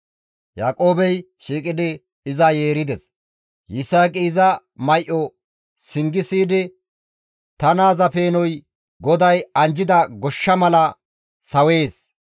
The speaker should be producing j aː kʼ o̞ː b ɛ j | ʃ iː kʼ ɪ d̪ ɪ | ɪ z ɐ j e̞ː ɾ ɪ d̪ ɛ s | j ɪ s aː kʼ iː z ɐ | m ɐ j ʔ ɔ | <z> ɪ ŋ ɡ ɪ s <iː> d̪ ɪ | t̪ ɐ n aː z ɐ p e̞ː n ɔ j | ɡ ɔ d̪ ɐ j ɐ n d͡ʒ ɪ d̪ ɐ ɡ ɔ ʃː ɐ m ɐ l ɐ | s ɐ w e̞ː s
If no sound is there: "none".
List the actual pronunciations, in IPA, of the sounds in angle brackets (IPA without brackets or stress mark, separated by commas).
s, iː